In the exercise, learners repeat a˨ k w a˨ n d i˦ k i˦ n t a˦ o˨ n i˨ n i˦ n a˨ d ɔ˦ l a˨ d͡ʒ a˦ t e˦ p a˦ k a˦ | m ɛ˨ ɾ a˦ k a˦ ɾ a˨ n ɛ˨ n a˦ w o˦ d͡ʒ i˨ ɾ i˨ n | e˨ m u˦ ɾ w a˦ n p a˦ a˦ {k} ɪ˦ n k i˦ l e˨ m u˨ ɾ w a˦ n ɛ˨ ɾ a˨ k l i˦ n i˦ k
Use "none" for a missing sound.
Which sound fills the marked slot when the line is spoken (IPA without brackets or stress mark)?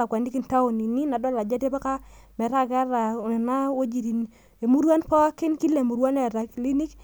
k